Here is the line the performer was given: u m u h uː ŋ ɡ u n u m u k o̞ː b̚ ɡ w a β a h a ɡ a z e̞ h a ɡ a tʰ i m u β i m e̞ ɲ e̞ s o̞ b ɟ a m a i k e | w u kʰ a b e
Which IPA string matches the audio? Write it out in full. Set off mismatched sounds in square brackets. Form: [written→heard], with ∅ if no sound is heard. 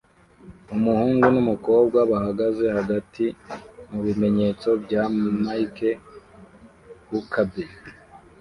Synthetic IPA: u m u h uː ŋ ɡ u n u m u k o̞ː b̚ ɡ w a β a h a ɡ a z e̞ h a ɡ a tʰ i m u β i m e̞ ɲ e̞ [s→t͡s] o̞ b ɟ a m a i k e | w u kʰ a b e

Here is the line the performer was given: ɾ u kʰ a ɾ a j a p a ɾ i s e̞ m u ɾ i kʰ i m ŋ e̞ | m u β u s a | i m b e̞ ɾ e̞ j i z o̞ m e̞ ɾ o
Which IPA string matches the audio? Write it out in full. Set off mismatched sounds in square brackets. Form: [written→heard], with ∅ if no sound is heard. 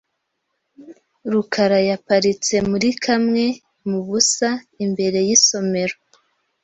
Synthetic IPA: ɾ u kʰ a ɾ a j a p a ɾ i [s→t͡s] e̞ m u ɾ i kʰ [i→a] m ŋ e̞ | m u β u s a | i m b e̞ ɾ e̞ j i [z→s] o̞ m e̞ ɾ o

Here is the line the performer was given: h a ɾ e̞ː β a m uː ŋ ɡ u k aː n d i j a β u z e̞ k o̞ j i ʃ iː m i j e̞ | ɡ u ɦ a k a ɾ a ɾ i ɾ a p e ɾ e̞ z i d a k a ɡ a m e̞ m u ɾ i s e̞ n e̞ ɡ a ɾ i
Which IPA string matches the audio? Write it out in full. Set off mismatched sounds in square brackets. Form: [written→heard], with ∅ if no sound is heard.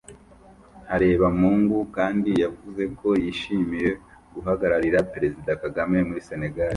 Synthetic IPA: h a ɾ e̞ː β a m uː ŋ ɡ u k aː n d i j a [β→v] u z e̞ k o̞ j i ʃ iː m i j e̞ | ɡ u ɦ a [k→ɡ] a ɾ a ɾ i ɾ a p e ɾ e̞ z i d a k a ɡ a m e̞ m u ɾ i s e̞ n e̞ ɡ a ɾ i

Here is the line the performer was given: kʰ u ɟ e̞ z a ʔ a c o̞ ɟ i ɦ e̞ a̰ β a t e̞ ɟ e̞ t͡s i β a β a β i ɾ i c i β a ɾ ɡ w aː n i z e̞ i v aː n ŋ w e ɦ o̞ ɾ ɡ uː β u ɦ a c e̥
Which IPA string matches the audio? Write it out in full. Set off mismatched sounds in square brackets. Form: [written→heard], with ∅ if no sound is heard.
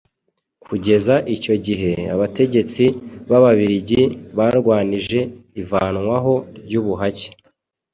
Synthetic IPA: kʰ u ɟ e̞ z a ʔ [a→i] c o̞ ɟ i ɦ e̞ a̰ β a t e̞ ɟ e̞ t͡s i β a β a β i ɾ i [c→ɟ] i β a ɾ ɡ w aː n i [z→ʒ] e̞ i v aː n ŋ w [e→a] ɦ o̞ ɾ [ɡ→ɟ] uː β u ɦ a c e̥

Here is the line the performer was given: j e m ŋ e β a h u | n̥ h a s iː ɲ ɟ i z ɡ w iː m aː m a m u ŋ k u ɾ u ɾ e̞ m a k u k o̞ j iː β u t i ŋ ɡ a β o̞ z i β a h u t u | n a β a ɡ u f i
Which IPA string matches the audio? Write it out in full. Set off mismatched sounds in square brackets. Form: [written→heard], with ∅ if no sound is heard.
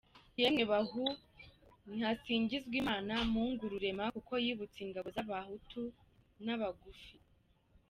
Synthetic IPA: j e m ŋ e β a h u | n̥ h a s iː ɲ ɟ i z ɡ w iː m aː [m→n] a m u ŋ [k→ɡ] u ɾ u ɾ e̞ m a k u k o̞ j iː β u [t→t͡s] i ŋ ɡ a β o̞ z [i→a] β a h u t u | n a β a ɡ u f i

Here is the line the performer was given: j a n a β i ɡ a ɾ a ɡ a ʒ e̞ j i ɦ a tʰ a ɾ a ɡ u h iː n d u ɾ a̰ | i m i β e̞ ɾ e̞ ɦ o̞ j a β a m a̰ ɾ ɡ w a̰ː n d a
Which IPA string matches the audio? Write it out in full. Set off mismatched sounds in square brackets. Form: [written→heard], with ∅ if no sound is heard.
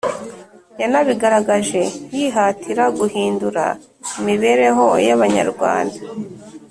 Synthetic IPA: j a n a β i ɡ a ɾ a ɡ a ʒ e̞ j i ɦ a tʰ [a→i] ɾ a ɡ u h iː n d u ɾ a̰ | i m i β e̞ ɾ e̞ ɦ o̞ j a β a [m→ɲ] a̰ ɾ ɡ w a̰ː n d a

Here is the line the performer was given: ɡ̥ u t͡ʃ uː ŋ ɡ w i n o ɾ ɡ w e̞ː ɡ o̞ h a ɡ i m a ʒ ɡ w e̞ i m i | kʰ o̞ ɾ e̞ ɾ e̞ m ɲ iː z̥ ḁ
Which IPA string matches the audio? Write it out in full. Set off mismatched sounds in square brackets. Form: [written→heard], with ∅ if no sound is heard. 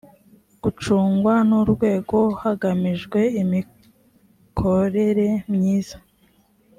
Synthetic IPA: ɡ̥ u t͡ʃ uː ŋ ɡ w [i→a] n [o→u] ɾ ɡ w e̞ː ɡ o̞ h a ɡ [i→a] m [a→i] ʒ ɡ w e̞ i m i | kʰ o̞ ɾ e̞ ɾ e̞ m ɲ iː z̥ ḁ

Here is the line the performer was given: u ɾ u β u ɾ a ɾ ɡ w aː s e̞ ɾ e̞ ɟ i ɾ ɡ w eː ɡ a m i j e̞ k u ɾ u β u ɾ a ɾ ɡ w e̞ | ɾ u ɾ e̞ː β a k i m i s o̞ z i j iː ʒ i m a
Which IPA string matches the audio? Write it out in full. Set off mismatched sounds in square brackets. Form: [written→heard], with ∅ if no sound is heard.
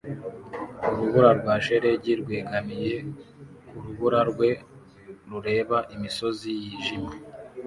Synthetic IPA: u ɾ u β u ɾ a ɾ ɡ w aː [s→ʃ] e̞ ɾ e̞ ɟ i ɾ ɡ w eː ɡ a m i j e̞ k u ɾ u β u ɾ a ɾ ɡ w e̞ | ɾ u ɾ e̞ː β a [k→ʔ] i m i s o̞ z i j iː ʒ i m a

